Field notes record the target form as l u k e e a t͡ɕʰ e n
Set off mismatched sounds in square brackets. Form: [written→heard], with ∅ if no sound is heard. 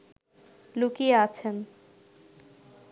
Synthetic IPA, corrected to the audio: l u k [e→i] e a t͡ɕʰ e n